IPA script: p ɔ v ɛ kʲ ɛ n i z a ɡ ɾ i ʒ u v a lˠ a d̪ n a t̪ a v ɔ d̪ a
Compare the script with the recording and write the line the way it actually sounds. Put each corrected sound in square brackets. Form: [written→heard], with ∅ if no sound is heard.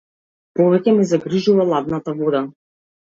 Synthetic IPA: p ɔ v ɛ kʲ ɛ [n→m] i z a ɡ ɾ i ʒ u v a lˠ a d̪ n a t̪ a v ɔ d̪ a